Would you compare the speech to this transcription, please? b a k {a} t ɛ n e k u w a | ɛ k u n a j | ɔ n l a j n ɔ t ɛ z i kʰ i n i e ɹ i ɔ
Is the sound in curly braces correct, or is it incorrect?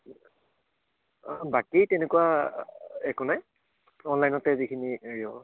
incorrect